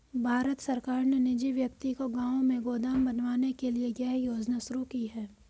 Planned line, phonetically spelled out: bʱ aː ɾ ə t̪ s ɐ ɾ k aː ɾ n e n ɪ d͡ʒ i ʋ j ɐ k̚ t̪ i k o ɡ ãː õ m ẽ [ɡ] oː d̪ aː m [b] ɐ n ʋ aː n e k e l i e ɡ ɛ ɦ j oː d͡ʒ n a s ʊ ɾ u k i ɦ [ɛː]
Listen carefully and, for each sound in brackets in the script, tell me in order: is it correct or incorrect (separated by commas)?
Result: correct, correct, correct